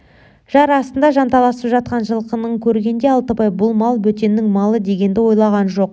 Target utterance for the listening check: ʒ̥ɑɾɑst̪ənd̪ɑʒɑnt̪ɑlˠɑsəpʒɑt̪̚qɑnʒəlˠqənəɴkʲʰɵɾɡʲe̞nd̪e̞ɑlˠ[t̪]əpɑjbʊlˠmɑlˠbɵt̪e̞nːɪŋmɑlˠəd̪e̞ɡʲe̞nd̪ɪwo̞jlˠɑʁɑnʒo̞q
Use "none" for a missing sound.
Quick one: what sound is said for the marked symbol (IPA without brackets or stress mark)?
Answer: t̪